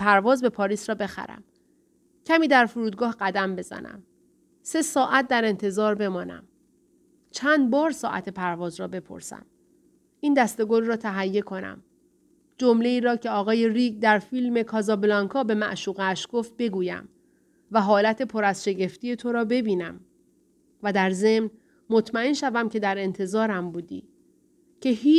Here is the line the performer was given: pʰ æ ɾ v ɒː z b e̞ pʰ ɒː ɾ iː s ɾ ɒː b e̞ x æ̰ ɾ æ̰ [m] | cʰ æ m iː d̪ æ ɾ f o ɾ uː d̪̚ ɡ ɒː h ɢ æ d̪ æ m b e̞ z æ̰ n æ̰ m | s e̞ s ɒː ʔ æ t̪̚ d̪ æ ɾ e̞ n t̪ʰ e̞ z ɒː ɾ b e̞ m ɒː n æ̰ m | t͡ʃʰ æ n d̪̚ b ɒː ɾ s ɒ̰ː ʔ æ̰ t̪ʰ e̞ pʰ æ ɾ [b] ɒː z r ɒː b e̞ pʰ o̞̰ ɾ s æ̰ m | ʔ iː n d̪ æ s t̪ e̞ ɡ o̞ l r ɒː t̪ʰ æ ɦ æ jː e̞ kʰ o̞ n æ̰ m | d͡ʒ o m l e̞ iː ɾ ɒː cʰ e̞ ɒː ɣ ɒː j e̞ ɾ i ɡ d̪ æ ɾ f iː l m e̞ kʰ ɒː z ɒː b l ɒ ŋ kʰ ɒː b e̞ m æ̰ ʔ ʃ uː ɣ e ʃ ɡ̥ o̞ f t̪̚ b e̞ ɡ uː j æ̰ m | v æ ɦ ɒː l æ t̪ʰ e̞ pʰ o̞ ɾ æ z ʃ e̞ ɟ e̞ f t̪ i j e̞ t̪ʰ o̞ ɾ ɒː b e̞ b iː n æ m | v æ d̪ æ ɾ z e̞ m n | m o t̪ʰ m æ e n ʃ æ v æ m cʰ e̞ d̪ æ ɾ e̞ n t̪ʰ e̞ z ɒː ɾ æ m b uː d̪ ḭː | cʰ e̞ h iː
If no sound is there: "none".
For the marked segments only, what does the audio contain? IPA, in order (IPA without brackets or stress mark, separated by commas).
m, v